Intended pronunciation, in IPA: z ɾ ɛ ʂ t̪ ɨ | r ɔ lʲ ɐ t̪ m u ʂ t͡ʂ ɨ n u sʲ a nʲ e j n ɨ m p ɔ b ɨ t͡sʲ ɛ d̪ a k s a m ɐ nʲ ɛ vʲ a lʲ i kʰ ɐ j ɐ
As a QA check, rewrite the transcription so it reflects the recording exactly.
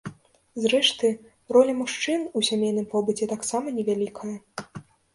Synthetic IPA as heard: z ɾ ɛ ʂ t̪ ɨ | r ɔ lʲ ɐ m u ʂ t͡ʂ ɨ n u sʲ a mʲ e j n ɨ m p ɔ b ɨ t͡sʲ ɛ t̪ a k s a m ɐ nʲ ɛ vʲ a lʲ i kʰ ɐ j ɐ